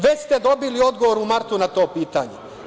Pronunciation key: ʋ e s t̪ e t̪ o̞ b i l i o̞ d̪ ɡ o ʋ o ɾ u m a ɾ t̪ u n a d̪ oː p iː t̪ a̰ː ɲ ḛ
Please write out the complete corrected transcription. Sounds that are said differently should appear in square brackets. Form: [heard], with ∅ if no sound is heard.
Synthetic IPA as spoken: ʋ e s t̪ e [d̪] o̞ b i l i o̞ d̪ ɡ o ʋ o ɾ u m a ɾ t̪ u n a [t̪] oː p iː t̪ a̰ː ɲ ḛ

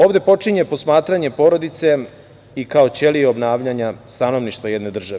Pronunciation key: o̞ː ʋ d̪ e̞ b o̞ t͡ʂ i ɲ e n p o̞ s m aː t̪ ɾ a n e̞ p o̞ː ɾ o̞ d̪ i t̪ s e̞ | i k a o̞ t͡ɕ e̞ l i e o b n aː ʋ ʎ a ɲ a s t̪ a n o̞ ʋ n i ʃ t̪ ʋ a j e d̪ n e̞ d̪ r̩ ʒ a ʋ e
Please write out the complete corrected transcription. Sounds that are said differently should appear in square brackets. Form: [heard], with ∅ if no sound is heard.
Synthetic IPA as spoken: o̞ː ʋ d̪ e̞ [p] o̞ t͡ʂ i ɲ e [∅] p o̞ s m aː t̪ ɾ a [ɲ] e̞ p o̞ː ɾ o̞ d̪ i t̪ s e̞ | i k a o̞ t͡ɕ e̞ l i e o b n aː ʋ ʎ a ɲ a s t̪ a n o̞ ʋ n i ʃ t̪ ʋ a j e d̪ n e̞ d̪ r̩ ʒ a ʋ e

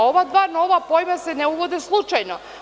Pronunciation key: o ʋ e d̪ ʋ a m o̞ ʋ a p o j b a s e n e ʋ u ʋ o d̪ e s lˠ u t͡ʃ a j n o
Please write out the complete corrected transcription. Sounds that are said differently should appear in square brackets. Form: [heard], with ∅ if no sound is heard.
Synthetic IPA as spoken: o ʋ [a] d̪ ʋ a [n] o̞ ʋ a p o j [m] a s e n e [∅] u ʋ o d̪ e s lˠ u t͡ʃ a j n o

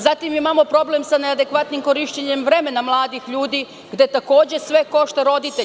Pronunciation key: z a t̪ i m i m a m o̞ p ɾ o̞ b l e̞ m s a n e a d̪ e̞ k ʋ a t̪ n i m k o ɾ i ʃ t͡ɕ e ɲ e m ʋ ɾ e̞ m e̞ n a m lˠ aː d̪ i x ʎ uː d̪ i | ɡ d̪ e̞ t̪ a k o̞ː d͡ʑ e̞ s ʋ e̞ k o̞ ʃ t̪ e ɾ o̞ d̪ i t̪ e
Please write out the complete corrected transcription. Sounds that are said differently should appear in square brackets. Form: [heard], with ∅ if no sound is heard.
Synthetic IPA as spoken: z a t̪ i m i m a m o̞ p ɾ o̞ b l e̞ m s a n e a d̪ e̞ k ʋ a t̪ n i m k o ɾ i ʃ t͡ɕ e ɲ e m ʋ ɾ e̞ m e̞ n a m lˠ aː d̪ i x ʎ uː d̪ i | ɡ d̪ e̞ t̪ a k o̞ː d͡ʑ e̞ s ʋ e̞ k o̞ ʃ t̪ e ɾ o̞ d̪ i t̪ e

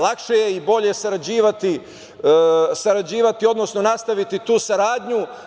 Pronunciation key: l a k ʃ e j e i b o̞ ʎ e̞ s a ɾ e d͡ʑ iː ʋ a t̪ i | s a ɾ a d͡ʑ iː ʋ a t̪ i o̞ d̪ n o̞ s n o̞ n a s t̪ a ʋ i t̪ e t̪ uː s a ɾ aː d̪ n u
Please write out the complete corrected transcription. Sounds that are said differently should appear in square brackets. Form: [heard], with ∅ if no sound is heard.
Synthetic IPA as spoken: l a k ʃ e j e i b o̞ ʎ e̞ s a ɾ [a] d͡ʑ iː ʋ a t̪ i | s a ɾ a d͡ʑ iː ʋ a t̪ i o̞ d̪ n o̞ s n o̞ n a s t̪ a ʋ i t̪ [i] t̪ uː s a ɾ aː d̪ [ɲ] u

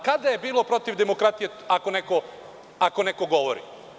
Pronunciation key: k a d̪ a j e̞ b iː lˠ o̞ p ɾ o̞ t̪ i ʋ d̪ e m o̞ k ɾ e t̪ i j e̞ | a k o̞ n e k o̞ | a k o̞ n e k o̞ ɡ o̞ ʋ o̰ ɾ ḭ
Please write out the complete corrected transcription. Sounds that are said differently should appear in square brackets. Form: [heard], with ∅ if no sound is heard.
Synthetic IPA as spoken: k a d̪ a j e̞ b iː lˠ o̞ p ɾ o̞ t̪ i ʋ d̪ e m o̞ k ɾ [a] t̪ i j e̞ | a k o̞ n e k o̞ | a k o̞ n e k o̞ ɡ o̞ ʋ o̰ ɾ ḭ

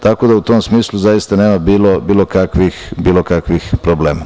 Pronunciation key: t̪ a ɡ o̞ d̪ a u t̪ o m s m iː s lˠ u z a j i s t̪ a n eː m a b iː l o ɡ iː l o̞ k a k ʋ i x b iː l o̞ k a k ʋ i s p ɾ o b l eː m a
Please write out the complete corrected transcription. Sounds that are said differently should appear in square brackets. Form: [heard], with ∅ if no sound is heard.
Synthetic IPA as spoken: t̪ a [k] o̞ d̪ a u t̪ o m s m iː s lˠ u z a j i s t̪ a n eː m a b iː l o [b] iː l o̞ k a k ʋ i x b iː l o̞ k a k ʋ i [x] p ɾ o b l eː m a

